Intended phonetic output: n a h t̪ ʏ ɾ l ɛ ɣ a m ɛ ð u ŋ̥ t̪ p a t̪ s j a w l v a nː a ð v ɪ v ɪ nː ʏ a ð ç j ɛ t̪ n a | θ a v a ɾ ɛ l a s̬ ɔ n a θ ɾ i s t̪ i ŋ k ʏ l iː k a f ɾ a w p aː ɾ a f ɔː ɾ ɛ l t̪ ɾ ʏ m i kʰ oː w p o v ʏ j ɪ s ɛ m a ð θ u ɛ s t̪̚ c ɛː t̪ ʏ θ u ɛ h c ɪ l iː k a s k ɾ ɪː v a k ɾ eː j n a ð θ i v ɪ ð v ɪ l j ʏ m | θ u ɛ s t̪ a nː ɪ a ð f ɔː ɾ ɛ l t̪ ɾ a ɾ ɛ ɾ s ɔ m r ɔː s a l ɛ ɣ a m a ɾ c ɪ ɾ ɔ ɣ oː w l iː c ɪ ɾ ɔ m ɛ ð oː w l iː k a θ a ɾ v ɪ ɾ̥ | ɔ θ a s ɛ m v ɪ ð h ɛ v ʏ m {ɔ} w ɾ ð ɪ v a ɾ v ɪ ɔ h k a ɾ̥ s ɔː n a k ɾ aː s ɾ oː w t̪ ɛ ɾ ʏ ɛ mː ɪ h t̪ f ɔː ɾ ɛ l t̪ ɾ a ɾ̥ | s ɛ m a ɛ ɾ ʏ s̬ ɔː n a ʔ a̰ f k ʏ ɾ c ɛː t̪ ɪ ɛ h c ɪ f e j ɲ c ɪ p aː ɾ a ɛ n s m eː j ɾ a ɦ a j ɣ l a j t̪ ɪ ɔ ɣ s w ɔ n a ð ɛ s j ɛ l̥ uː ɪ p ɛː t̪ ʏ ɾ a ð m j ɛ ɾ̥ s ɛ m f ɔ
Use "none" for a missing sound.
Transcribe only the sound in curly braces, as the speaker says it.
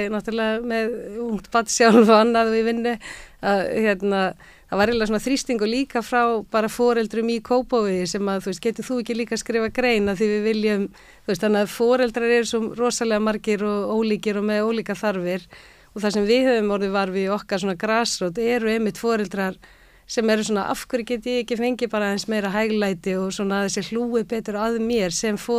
ɔ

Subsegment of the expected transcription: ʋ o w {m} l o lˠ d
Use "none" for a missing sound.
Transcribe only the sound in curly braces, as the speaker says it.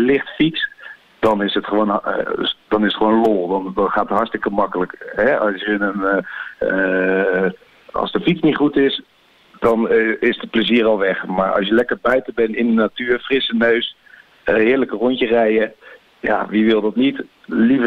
n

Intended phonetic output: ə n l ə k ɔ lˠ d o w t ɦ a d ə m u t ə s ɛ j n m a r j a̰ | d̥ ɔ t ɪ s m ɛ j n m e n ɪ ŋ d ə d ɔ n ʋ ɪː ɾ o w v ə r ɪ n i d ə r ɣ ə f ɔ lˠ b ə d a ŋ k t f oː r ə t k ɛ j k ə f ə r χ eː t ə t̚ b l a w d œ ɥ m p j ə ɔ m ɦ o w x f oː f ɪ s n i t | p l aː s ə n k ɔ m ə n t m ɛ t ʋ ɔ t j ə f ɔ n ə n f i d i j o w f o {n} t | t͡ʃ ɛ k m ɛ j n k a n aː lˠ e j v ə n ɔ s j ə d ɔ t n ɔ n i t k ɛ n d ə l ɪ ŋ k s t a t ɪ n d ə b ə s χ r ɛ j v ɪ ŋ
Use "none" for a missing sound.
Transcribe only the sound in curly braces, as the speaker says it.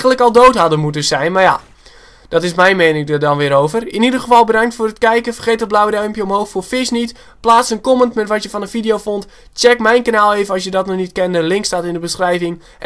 n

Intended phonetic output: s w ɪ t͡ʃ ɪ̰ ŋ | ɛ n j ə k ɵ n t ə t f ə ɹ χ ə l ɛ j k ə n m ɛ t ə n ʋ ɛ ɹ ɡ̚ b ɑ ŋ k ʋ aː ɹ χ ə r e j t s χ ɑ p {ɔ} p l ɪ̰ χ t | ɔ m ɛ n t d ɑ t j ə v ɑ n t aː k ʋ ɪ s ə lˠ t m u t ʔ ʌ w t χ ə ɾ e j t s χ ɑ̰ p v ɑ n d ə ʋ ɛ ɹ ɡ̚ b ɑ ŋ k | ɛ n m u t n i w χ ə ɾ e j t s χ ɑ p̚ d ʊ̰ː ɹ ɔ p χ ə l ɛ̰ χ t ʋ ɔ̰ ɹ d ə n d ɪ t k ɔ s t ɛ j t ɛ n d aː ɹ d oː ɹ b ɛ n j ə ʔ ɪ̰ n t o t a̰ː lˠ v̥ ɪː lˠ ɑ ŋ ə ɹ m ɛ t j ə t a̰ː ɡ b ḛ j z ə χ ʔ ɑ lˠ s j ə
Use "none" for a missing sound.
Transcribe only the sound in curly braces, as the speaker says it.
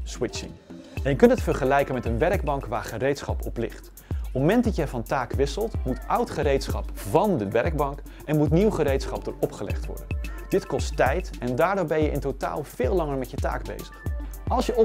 ɔ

